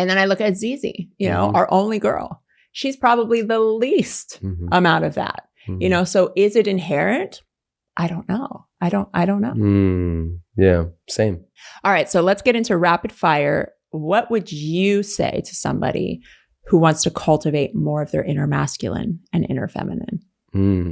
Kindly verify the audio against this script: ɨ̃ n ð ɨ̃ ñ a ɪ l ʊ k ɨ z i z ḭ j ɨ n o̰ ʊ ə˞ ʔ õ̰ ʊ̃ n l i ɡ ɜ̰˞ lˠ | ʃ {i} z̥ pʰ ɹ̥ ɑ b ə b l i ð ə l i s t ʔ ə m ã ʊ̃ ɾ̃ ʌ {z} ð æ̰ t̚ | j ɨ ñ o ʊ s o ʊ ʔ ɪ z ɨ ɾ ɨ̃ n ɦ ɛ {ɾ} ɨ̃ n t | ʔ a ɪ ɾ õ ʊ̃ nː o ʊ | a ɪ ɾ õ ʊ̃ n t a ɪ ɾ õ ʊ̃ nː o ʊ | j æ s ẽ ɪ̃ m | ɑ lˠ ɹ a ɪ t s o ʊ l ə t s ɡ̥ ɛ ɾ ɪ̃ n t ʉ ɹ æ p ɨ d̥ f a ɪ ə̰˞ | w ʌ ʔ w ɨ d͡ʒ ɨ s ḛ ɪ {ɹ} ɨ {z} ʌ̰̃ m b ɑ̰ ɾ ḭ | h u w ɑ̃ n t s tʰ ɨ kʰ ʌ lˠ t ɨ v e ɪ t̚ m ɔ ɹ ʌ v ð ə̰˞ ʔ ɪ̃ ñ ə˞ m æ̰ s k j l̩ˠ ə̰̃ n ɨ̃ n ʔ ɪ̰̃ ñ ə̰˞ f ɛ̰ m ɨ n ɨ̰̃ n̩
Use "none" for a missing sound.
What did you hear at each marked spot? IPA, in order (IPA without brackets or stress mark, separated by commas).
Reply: i, v, ɹ, ɾ, s